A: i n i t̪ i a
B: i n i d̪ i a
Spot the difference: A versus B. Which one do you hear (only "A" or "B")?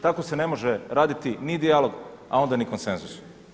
B